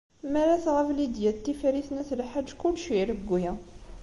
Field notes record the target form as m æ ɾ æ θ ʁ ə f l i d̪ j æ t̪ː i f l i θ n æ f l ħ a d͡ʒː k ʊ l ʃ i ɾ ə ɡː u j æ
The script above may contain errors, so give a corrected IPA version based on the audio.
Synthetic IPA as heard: m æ ɾ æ θ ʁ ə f l i d̪ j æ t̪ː i f ɾ i θ n æ θ l ħ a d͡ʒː k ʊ l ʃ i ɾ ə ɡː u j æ